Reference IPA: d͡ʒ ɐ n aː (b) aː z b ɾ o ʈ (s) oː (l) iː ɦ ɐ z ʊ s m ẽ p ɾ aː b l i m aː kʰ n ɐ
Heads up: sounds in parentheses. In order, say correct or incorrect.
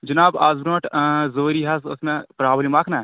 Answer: correct, incorrect, incorrect

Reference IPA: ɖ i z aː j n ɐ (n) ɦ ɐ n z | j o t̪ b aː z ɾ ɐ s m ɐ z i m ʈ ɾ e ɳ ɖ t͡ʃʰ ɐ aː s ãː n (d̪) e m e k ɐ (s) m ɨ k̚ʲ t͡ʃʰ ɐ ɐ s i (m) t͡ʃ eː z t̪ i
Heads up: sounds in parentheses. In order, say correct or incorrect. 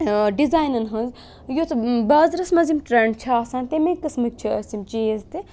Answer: correct, incorrect, correct, correct

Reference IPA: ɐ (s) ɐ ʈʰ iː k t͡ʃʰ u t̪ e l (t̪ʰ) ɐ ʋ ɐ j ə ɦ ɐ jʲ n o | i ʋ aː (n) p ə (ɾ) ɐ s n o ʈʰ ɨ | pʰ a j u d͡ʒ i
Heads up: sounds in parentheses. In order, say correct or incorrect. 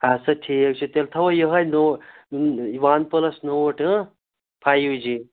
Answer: correct, correct, correct, incorrect

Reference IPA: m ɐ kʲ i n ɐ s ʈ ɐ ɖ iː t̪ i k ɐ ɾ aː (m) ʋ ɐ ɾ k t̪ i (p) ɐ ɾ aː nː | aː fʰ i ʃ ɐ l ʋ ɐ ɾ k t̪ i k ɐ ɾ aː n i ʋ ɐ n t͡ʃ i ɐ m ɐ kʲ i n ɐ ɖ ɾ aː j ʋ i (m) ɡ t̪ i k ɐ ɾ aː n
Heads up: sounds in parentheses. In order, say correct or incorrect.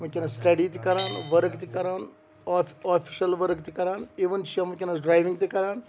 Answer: incorrect, incorrect, incorrect

